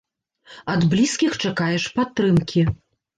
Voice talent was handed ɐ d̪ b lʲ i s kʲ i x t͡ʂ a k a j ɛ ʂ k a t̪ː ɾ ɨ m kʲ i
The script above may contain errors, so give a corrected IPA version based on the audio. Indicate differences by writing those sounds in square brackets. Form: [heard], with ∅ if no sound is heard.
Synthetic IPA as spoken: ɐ d̪ b lʲ i s kʲ i x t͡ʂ a k a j ɛ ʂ [p] a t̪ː ɾ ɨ m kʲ i